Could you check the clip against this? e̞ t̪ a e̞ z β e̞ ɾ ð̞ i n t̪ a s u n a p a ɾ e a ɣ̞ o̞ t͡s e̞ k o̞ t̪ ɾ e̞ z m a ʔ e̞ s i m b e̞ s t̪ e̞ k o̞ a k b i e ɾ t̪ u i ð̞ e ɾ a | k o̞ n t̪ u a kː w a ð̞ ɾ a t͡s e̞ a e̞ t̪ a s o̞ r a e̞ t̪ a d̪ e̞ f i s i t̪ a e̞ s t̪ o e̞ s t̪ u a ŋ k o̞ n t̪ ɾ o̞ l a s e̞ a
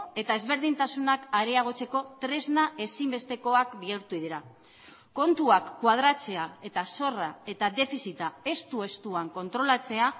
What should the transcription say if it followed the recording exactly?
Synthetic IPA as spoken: e̞ t̪ a e̞ z β e̞ ɾ ð̞ i n t̪ a s u n a k a ɾ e a ɣ̞ o̞ t͡s e̞ k o̞ t̪ ɾ e̞ z n a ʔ e̞ s i m b e̞ s t̪ e̞ k o̞ a k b i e ɾ t̪ u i ð̞ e ɾ a | k o̞ n t̪ u a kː w a ð̞ ɾ a t͡s e̞ a e̞ t̪ a s o̞ r a e̞ t̪ a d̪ e̞ f i s i t̪ a e̞ s t̪ u e̞ s t̪ u a ŋ k o̞ n t̪ ɾ o̞ l a t͡s e̞ a

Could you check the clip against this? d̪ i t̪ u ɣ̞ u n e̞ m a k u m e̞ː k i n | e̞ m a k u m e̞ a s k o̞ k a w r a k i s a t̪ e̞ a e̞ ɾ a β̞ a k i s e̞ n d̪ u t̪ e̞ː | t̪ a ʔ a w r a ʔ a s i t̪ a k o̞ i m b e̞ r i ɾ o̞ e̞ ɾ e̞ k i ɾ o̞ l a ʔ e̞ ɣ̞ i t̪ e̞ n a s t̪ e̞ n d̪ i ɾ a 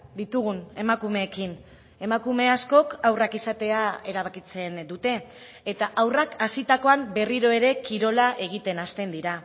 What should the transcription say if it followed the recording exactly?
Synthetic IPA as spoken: d̪ i t̪ u ɣ̞ u n e̞ m a k u m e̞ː k i n | e̞ m a k u m e̞ a s k o̞ k a w r a k i s a t̪ e̞ a e̞ ɾ a β̞ a k i t͡s e̞ n d̪ u t̪ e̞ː | t̪ a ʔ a w r a k a s i t̪ a k o̞ a m b e̞ r i ɾ o̞ e̞ ɾ e̞ k i ɾ o̞ l a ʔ e̞ ɣ̞ i t̪ e̞ n a s t̪ e̞ n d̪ i ɾ a

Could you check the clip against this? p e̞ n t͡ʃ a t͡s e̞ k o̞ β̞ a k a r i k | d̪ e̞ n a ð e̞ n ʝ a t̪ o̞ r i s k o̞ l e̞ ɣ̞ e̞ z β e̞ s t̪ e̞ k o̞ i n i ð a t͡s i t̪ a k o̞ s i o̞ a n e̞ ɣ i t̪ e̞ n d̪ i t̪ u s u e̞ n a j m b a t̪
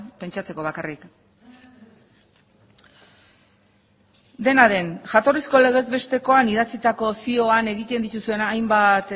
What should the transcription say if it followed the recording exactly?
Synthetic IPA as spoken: p e̞ n t͡ʃ a t͡s e̞ k o̞ β̞ a k a r i k | d̪ e̞ n a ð e̞ n ʝ a t̪ o̞ r i s k o̞ l e̞ ɣ̞ e̞ z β e̞ s t̪ e̞ k o̞ a n i ð a t͡s i t̪ a k o̞ s i o̞ a n e̞ ɣ i t̪ e̞ n d̪ i t̪ u s u e̞ n a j m b a t̪

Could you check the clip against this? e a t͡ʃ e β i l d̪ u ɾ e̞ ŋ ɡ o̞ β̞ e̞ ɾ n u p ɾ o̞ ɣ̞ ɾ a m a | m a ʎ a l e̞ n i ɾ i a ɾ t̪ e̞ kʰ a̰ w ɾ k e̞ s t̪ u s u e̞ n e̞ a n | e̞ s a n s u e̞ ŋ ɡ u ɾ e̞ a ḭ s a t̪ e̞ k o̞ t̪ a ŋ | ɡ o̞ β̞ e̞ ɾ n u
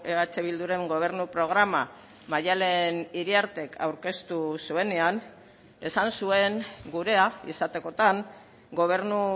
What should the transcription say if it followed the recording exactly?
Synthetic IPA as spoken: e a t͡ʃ e β i l d̪ u ɾ e̞ ŋ ɡ o̞ β̞ e̞ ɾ n u p ɾ o̞ ɣ̞ ɾ a m a | m a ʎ a l e̞ n i ɾ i a ɾ t̪ e̞ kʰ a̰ w ɾ k e̞ s t̪ u s u e̞ n e̞ a n | e̞ s a n s u e̞ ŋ ɡ u ɾ e̞ a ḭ s a t̪ e̞ k o̞ t̪ a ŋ | ɡ o̞ β̞ e̞ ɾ n u

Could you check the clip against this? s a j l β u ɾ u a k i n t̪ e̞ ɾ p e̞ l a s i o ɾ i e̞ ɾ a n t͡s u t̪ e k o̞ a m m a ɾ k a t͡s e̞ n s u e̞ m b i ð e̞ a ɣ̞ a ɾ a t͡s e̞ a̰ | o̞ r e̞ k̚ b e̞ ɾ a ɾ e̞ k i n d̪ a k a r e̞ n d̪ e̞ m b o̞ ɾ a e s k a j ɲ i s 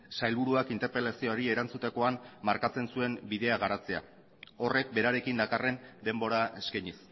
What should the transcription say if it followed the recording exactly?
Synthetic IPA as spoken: s a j l β u ɾ u a k i n t̪ e̞ ɾ p e̞ l a s i o ɾ i e̞ ɾ a n t͡s u t̪ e k o̞ a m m a ɾ k a t͡s e̞ n s u e̞ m b i ð e̞ a ɣ̞ a ɾ a t͡s e̞ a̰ | o̞ r e̞ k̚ b e̞ ɾ a ɾ e̞ k i n d̪ a k a r e̞ n d̪ e̞ m b o̞ ɾ a e s k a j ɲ i s

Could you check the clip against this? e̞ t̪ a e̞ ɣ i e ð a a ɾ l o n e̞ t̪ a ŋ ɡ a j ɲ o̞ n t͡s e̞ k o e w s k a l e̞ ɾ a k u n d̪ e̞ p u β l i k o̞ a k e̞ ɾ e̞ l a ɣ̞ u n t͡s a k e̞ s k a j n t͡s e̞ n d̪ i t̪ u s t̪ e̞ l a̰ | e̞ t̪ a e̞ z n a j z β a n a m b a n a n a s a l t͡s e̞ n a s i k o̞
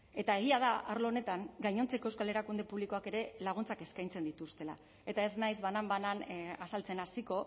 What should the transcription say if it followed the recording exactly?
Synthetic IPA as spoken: e̞ t̪ a e̞ ɣ i a ð a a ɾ l o n e̞ t̪ a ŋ ɡ a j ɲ o̞ n t͡s e̞ k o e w s k a l e̞ ɾ a k u n d̪ e̞ p u β l i k o̞ a k e̞ ɾ e̞ l a ɣ̞ u n t͡s a k e̞ s k a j n t͡s e̞ n d̪ i t̪ u s t̪ e̞ l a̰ | e̞ t̪ a e̞ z n a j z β a n a m b a n a n a s a l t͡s e̞ n a s i k o̞

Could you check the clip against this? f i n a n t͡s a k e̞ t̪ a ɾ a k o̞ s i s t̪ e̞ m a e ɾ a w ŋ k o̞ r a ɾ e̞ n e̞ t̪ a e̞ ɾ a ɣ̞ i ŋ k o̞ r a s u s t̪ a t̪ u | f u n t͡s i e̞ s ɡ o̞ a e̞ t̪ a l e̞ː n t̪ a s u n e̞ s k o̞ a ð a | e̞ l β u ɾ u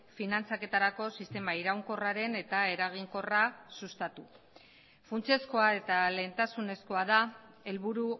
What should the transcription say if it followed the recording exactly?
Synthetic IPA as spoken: f i n a n t͡s a k e̞ t̪ a ɾ a k o̞ s i s t̪ e̞ m a i ɾ a w ŋ k o̞ r a ɾ e̞ n e̞ t̪ a e̞ ɾ a ɣ̞ i ŋ k o̞ r a s u s t̪ a t̪ u | f u n t͡s i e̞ s k o̞ a e̞ t̪ a l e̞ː n t̪ a s u n e̞ s k o̞ a ð a | e̞ l β u ɾ u

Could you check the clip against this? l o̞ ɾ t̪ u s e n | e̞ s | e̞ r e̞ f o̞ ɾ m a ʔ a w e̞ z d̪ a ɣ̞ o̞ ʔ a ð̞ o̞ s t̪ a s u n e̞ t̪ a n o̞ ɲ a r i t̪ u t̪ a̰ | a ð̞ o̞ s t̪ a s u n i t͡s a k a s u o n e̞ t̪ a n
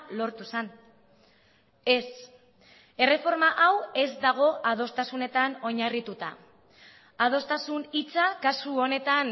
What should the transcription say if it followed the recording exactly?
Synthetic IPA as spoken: l o̞ ɾ t̪ u s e n | e̞ s | e̞ r e̞ f o̞ ɾ m a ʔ a w e̞ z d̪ a ɣ̞ o̞ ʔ a ð̞ o̞ s t̪ a s u n e̞ t̪ a n o̞ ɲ a r i t̪ u t̪ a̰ | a ð̞ o̞ s t̪ a s u n i t͡s a k a s u o n e̞ t̪ a n

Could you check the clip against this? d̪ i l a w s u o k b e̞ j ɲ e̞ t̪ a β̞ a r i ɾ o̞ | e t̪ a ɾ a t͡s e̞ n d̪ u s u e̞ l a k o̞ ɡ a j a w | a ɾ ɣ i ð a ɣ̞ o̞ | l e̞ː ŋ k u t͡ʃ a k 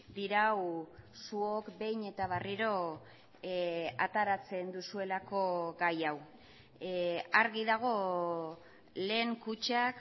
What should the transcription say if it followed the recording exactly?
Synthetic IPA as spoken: d̪ i ɾ a w s u o k b e̞ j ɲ e̞ t̪ a β̞ a r i ɾ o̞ | a t̪ a ɾ a t͡s e̞ n d̪ u s u e̞ l a k o̞ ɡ a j a w | a ɾ ɣ i ð a ɣ̞ o̞ | l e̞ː ŋ k u t͡ʃ a k

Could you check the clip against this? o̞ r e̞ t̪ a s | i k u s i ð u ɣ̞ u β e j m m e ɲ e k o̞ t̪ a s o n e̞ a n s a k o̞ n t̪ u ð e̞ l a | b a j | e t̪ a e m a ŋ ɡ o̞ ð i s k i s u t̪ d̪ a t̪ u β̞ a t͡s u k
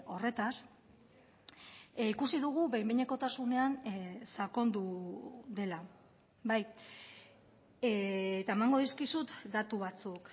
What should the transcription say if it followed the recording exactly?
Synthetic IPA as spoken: o̞ r e̞ t̪ a s | i k u s i ð u ɣ̞ u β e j m b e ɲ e k o̞ t̪ a s u n e̞ a n s a k o̞ n d̪ u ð e̞ l a | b a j | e t̪ a e m a ŋ ɡ o̞ ð i s k i s u t̪ d̪ a t̪ u β̞ a t͡s u k

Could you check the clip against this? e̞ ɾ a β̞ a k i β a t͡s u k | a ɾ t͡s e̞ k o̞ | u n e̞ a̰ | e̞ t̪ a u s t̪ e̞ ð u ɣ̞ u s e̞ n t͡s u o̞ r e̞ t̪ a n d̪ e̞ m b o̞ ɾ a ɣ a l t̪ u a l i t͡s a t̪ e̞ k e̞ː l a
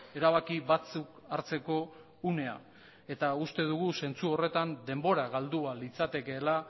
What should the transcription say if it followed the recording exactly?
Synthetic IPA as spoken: e̞ ɾ a β̞ a k i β a t͡s u k | a ɾ t͡s e̞ k o̞ | u n e̞ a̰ | e̞ t̪ a u s t̪ e̞ ð u ɣ̞ u s e̞ n t͡s u o̞ r e̞ t̪ a n d̪ e̞ m b o̞ ɾ a ɣ a l d̪ u a l i t͡s a t̪ e̞ k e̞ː l a

